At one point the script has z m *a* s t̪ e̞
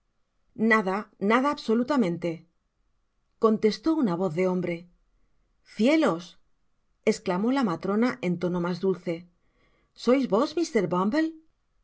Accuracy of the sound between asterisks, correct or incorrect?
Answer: incorrect